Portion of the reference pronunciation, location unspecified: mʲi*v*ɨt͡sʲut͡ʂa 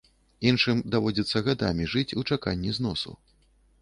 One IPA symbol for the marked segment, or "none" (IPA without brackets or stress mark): ʐ